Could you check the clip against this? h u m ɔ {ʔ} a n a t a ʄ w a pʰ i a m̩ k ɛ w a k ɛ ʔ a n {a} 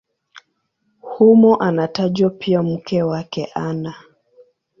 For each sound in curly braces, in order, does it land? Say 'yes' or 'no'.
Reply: yes, yes

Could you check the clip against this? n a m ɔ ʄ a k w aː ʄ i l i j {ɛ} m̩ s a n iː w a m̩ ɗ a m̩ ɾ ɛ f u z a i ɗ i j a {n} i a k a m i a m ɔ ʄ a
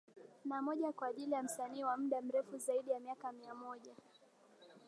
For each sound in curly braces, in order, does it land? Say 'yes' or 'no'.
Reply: no, no

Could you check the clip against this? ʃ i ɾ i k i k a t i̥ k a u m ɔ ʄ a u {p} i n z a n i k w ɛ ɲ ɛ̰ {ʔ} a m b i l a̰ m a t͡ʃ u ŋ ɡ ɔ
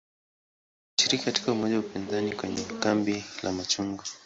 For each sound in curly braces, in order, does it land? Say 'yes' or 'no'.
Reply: yes, no

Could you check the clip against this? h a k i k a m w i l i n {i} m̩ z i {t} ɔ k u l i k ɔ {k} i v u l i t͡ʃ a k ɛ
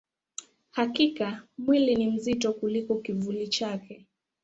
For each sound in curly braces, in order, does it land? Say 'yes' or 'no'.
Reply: yes, yes, yes

